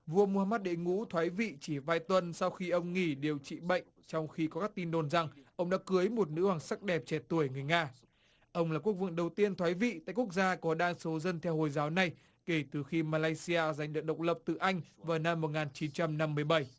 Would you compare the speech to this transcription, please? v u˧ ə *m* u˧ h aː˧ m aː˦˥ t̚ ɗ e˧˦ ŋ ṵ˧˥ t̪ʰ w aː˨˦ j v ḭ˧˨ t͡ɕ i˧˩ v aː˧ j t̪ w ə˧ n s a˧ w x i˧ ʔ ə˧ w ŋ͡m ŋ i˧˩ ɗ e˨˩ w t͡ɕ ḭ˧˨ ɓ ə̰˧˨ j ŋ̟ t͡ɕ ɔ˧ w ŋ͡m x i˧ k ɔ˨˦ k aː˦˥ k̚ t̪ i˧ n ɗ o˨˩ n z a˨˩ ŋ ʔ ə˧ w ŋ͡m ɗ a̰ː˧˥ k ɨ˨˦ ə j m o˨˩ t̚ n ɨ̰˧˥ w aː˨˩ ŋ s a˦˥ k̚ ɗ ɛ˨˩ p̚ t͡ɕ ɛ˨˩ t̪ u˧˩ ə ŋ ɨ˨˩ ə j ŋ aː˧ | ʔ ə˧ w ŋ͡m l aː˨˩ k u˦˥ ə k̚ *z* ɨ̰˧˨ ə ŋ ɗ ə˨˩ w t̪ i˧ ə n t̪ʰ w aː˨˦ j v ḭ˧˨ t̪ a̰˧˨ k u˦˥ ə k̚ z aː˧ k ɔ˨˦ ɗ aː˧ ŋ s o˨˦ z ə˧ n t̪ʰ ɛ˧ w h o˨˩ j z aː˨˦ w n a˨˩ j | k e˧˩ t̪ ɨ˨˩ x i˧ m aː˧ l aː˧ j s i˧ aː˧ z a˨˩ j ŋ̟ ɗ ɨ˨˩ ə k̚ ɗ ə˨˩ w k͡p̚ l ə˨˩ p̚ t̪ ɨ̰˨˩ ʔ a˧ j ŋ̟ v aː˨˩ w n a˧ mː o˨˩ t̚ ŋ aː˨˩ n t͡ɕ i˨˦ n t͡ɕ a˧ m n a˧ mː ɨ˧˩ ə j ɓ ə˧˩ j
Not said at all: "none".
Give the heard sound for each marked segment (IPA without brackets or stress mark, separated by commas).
m, v